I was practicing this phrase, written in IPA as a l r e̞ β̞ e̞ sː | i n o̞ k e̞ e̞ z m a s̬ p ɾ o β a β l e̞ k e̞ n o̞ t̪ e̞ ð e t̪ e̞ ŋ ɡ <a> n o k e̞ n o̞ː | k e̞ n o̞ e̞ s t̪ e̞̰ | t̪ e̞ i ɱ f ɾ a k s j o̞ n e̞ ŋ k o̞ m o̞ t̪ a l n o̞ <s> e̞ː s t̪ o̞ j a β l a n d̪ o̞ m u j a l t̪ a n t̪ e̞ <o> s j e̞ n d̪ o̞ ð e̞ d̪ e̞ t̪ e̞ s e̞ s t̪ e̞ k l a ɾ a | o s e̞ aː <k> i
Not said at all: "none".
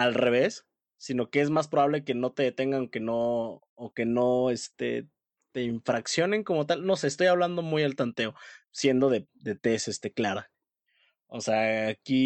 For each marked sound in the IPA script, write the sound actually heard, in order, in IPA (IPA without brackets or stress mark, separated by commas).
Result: a, s, o, k